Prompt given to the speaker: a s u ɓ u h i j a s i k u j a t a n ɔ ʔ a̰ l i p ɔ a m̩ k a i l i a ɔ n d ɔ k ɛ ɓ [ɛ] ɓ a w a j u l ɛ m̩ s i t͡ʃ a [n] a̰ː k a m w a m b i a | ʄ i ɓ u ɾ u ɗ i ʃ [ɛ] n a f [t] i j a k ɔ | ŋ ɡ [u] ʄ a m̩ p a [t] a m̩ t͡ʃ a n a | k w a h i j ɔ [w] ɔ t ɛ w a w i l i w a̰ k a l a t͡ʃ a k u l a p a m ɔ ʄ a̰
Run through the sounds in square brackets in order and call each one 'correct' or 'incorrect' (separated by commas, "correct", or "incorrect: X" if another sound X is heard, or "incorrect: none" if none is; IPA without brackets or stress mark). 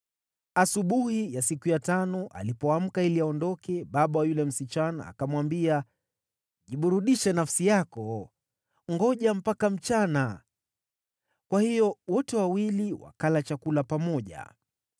incorrect: a, correct, correct, incorrect: s, incorrect: ɔ, incorrect: k, correct